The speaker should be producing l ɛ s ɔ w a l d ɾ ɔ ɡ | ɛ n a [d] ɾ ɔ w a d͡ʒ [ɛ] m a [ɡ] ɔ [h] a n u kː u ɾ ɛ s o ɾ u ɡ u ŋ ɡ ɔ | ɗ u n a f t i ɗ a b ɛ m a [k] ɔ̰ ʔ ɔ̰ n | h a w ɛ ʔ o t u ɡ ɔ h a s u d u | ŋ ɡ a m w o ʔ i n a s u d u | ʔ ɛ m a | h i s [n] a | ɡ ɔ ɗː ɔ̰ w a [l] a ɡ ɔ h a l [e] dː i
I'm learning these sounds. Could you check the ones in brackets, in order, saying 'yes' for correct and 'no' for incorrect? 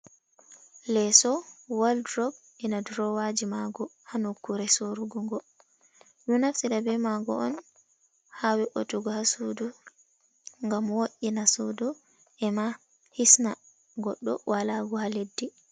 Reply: yes, no, yes, yes, no, yes, yes, yes

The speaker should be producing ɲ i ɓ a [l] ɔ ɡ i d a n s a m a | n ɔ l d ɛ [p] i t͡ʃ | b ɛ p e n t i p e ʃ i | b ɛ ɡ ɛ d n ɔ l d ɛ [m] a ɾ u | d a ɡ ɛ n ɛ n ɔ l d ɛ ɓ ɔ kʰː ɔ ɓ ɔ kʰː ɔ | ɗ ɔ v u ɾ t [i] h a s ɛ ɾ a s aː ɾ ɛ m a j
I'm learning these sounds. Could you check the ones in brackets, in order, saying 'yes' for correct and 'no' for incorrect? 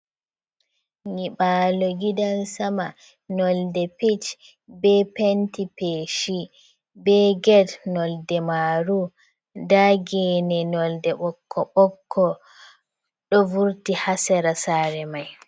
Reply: yes, yes, yes, yes

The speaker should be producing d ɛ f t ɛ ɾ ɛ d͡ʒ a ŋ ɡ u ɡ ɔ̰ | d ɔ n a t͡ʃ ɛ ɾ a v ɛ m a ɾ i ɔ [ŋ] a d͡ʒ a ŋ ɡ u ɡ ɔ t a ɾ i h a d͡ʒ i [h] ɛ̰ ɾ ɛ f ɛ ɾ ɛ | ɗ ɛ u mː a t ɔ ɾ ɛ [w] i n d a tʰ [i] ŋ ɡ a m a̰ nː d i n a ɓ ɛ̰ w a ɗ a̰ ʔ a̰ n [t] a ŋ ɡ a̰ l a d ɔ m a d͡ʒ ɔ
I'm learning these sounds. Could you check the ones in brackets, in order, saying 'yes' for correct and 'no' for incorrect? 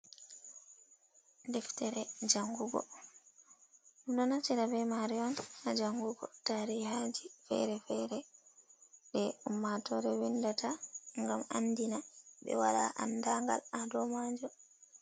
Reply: no, no, yes, no, no

